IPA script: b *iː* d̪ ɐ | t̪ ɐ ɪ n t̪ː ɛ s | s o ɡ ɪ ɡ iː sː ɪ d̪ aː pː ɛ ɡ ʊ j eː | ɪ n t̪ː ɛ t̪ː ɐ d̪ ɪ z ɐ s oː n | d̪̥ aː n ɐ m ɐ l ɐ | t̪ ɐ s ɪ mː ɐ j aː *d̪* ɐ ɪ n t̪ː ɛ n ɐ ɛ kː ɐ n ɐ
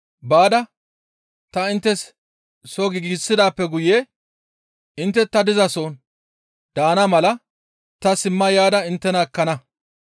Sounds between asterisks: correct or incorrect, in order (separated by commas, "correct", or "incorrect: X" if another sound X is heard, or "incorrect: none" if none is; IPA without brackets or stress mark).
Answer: incorrect: aː, correct